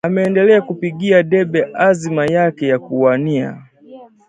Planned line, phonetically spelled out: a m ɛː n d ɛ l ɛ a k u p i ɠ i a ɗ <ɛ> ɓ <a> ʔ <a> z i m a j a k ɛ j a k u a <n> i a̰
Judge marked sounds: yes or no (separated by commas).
yes, no, yes, yes